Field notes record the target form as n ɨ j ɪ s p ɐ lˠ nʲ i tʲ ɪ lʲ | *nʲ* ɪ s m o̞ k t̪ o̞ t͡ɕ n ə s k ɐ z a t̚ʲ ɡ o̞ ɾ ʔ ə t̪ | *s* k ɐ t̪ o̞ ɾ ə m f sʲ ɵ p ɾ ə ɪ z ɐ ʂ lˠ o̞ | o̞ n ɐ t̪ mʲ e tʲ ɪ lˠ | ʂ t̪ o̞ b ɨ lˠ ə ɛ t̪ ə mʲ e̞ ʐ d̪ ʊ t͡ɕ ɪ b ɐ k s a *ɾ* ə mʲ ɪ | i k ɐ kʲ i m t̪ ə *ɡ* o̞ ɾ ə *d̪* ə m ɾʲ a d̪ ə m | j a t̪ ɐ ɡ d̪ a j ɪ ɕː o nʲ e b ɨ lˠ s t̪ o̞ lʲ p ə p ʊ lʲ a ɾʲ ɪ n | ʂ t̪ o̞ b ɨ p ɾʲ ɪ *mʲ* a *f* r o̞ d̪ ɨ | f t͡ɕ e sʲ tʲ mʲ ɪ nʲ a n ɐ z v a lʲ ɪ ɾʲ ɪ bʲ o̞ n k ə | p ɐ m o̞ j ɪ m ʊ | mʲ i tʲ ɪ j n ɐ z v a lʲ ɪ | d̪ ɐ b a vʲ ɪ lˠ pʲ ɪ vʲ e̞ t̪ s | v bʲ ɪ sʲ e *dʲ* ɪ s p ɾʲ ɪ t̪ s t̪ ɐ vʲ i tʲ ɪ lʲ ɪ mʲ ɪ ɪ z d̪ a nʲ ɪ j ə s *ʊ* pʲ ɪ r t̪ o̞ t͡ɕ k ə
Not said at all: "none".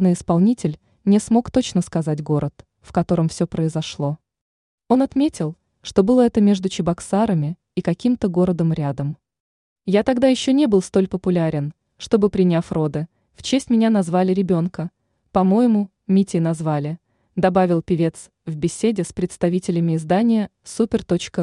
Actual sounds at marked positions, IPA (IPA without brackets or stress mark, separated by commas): nʲ, f, ɾ, ɡ, d̪, nʲ, f, dʲ, u